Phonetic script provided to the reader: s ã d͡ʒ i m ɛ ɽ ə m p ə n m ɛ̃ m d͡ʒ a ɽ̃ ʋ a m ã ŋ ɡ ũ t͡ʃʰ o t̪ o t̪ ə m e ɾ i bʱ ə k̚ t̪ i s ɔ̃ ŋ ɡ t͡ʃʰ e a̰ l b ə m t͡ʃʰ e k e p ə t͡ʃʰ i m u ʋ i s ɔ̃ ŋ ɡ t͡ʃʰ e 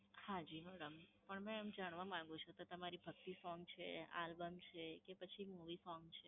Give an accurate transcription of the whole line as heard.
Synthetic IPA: h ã d͡ʒ i m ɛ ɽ ə m p ə ɳ m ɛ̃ m d͡ʒ a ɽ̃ ʋ a m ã ŋ ɡ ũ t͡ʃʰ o t̪ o t̪ ə m a ɾ i bʱ ə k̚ t̪ i s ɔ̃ ŋ ɡ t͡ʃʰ e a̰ l b ə m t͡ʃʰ e k e p ə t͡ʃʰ i m u ʋ i s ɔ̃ ŋ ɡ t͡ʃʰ e